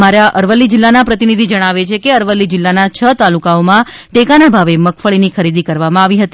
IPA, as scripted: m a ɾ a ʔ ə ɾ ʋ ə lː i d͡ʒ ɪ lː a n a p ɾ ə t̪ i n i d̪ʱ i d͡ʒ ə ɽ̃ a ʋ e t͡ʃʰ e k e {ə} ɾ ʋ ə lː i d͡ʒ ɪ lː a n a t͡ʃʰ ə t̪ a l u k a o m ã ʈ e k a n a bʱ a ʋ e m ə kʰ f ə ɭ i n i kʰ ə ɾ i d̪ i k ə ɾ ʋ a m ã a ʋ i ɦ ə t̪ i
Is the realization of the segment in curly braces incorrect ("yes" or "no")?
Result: no